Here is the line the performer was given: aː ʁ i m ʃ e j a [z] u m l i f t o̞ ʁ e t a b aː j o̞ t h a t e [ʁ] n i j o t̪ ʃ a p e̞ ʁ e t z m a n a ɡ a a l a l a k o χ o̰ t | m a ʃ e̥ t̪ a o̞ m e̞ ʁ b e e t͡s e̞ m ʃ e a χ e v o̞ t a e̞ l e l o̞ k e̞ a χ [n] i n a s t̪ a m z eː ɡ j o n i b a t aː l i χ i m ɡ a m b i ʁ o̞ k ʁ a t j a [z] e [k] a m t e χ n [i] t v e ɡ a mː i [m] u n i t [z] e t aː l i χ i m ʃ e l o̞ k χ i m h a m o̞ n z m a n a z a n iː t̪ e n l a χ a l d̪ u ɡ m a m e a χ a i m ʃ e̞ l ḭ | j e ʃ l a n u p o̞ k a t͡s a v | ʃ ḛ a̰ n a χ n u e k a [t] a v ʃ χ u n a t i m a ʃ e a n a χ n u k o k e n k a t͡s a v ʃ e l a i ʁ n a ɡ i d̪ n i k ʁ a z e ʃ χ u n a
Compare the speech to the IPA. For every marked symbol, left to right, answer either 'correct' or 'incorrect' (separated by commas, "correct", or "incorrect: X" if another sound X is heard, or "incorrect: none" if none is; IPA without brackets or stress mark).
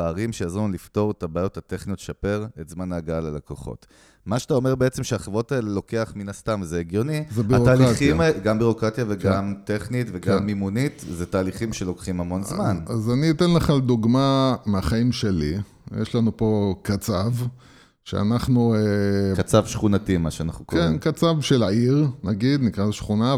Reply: correct, incorrect: χ, incorrect: m, incorrect: v, incorrect: ɡ, correct, correct, correct, incorrect: t͡s